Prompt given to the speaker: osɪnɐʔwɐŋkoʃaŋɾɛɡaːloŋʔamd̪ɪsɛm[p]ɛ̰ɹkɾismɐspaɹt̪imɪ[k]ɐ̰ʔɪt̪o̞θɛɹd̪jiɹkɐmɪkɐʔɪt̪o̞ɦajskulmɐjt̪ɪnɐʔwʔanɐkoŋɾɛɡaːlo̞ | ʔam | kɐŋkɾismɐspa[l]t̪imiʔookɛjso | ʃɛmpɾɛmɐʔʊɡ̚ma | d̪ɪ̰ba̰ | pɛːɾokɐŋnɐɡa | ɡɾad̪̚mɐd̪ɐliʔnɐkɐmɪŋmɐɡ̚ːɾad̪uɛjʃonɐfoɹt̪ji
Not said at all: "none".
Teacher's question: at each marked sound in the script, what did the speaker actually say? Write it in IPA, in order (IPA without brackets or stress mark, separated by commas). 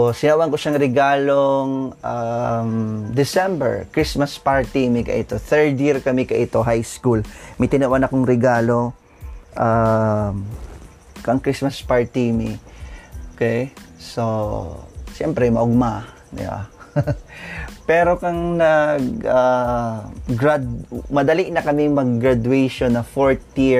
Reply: b, k, ɹ